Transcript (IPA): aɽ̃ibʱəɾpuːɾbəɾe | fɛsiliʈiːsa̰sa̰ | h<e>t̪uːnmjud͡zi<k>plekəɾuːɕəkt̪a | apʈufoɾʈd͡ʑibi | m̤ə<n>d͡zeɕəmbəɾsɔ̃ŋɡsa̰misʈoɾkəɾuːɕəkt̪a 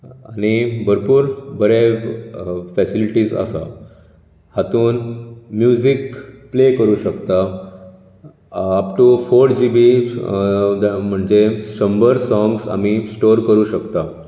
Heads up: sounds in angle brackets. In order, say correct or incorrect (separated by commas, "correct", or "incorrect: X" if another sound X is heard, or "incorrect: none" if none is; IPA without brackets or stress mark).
incorrect: a, correct, incorrect: ɳ